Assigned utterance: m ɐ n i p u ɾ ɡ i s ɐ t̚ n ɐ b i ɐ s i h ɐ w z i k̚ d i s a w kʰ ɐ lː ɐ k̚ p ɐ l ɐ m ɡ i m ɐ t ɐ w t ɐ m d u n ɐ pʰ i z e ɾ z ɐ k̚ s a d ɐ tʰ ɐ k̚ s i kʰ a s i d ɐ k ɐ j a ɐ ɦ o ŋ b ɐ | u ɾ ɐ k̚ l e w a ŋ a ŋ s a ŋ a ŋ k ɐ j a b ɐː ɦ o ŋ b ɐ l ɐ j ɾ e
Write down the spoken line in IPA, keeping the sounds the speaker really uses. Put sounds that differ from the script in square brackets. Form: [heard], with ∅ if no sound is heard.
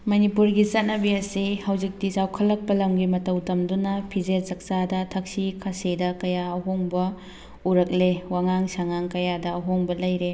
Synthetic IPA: m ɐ n i p u ɾ ɡ i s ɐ t̚ n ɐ b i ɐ s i h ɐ w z i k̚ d i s a w kʰ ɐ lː ɐ k̚ p ɐ l ɐ m ɡ i m ɐ t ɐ w t ɐ m d u n ɐ pʰ i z e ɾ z ɐ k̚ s a d ɐ tʰ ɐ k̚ s i kʰ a s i d ɐ k ɐ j a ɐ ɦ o ŋ b ɐ | u ɾ ɐ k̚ l e w a ŋ a ŋ s a ŋ a ŋ k ɐ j a [d] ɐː ɦ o ŋ b ɐ l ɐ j ɾ e

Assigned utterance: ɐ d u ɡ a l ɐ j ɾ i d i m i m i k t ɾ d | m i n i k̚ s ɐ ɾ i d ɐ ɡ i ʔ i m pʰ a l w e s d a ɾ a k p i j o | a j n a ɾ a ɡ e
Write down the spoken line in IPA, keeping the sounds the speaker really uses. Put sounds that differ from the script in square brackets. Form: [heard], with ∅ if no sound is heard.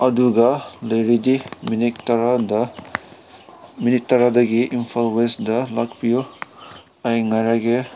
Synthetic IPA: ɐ d u ɡ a l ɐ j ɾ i d i m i [n] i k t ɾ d | m i n i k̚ [t] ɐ ɾ [a] d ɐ ɡ i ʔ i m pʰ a l w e s d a [l] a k p i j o | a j [ŋ] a ɾ a ɡ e

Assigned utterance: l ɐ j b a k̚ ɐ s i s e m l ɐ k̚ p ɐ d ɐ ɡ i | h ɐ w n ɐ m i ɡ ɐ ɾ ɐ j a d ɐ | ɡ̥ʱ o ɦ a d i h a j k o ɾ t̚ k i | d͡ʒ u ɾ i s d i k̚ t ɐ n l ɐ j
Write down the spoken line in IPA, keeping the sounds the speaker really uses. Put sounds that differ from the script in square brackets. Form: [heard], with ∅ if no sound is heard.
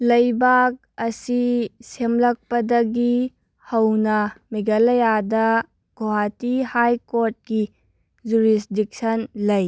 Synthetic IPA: l ɐ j b a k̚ ɐ s i s e m l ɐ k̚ p ɐ d ɐ ɡ i | h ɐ w n ɐ m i ɡ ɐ [l] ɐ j a d ɐ | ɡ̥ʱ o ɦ a [t] i h a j k o ɾ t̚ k i | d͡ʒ u ɾ i s d i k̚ [s] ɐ n l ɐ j

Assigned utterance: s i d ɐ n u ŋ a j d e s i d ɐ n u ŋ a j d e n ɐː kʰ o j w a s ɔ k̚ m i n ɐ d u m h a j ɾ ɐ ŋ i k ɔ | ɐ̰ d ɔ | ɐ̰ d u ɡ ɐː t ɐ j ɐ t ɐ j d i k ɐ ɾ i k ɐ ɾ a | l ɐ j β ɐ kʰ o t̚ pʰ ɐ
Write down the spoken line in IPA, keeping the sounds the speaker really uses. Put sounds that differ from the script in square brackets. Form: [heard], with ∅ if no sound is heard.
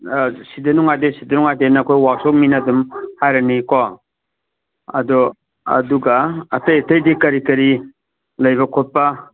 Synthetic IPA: s i d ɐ n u ŋ a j d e s i d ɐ n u ŋ a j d e n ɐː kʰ o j w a s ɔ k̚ m i n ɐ d u m h a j ɾ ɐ [n] i k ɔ | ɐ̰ d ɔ | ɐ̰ d u ɡ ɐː t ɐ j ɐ t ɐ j d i k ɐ ɾ i k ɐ ɾ [i] | l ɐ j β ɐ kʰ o t̚ [p] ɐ

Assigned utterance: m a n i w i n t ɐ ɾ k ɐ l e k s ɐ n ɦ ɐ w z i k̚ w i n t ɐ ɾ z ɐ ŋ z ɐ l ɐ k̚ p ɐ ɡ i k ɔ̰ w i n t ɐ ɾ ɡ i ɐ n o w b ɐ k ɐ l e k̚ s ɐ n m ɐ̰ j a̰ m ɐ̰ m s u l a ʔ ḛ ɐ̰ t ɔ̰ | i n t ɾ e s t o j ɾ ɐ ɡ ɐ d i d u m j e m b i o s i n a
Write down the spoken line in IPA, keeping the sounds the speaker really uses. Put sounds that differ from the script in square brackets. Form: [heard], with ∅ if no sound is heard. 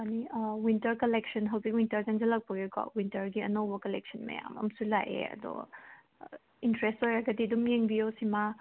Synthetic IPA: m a n i w i n t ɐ ɾ k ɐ l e k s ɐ n ɦ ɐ w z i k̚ w i n t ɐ ɾ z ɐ ŋ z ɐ l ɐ k̚ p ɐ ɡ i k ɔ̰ w i n t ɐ ɾ ɡ i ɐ n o w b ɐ k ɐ l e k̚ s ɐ n m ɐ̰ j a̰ m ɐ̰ m s u l a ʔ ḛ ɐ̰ [d] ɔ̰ | i n t ɾ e s t o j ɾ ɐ ɡ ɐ d i d u m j e [ŋ] b i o s i [m] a

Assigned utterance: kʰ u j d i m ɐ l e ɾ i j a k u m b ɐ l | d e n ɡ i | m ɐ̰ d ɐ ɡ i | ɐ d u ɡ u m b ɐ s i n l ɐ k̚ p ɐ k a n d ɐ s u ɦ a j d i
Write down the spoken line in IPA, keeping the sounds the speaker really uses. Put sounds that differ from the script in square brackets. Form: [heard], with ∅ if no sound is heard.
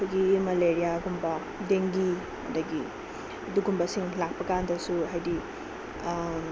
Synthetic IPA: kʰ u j [ɡ] i m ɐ l e ɾ i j a [ɡ] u m b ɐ [∅] | d e [ŋ] ɡ i | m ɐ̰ d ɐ ɡ i | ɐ d u ɡ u m b ɐ s i [ŋ] l [a] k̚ p ɐ k a n d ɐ s u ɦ a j d i

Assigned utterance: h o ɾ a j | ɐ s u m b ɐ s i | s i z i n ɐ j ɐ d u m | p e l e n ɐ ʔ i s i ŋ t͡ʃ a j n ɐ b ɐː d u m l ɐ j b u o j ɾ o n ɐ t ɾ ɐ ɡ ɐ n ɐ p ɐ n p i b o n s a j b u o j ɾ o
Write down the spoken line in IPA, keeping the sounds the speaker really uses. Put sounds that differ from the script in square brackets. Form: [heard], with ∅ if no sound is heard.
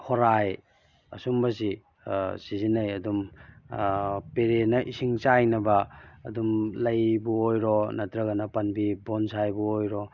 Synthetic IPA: h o ɾ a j | ɐ s u m b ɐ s i | s i z i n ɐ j ɐ d u m | p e [ɾ] e n ɐ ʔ i s i ŋ t͡ʃ a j n ɐ b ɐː d u m l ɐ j b u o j ɾ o n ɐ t ɾ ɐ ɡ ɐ n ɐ p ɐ n [b] i b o n s a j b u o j ɾ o

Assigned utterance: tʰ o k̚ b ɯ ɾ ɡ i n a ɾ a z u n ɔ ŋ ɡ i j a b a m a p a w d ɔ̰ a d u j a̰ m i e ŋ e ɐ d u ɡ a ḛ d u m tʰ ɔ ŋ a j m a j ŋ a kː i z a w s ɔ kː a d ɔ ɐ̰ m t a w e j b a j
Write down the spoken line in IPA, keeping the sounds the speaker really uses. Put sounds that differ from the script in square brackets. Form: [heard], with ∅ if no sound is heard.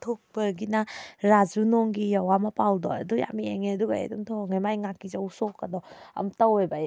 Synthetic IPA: tʰ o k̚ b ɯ ɾ ɡ i n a ɾ a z u n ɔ ŋ ɡ i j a [w] a m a p a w d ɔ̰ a d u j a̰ m i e ŋ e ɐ d u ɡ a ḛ d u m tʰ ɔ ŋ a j m a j ŋ a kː i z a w s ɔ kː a d ɔ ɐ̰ m t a w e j b a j

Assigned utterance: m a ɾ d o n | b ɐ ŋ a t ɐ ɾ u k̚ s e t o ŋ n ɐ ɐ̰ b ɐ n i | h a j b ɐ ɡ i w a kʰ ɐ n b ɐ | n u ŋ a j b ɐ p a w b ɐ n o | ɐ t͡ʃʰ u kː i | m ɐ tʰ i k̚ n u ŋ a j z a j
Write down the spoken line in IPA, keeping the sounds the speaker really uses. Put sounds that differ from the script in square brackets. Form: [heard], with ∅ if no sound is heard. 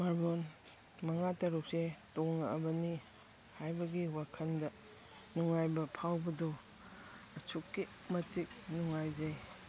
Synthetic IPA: m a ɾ [b] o n | [m] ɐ ŋ a t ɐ ɾ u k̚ s e t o ŋ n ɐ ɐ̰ b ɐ n i | h a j b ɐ ɡ i w a kʰ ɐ n [d] ɐ | n u ŋ a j b ɐ [pʰ] a w b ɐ [d] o | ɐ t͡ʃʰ u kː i | m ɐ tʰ i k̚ n u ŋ a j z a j

